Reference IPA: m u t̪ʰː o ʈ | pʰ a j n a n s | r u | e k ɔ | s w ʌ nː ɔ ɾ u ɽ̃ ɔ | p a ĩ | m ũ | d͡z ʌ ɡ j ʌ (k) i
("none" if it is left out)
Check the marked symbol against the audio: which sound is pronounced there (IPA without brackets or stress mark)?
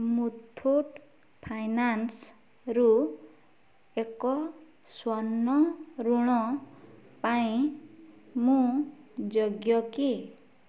k